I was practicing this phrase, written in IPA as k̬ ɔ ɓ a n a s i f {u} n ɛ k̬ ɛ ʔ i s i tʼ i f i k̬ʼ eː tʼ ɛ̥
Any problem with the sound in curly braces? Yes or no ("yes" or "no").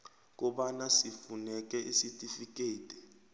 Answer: no